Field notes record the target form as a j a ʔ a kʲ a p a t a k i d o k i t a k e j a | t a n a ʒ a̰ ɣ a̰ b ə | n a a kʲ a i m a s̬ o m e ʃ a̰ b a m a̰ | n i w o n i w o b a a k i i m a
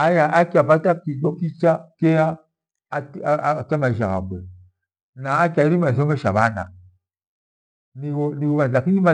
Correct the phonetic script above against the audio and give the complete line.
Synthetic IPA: a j a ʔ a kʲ a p a t a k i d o k i t͡ʃ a k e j a | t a m a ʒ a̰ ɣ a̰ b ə | n a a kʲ a i m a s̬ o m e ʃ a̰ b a n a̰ | n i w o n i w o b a a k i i m a